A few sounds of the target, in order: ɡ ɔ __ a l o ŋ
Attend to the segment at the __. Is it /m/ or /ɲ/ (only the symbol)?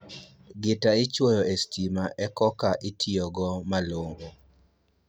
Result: m